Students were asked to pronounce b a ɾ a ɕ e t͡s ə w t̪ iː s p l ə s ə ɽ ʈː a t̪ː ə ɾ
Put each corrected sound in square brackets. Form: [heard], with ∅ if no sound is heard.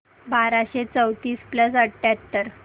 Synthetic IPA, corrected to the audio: b a ɾ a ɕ e t͡s ə w t̪ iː s p l ə s ə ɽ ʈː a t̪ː ə ɾ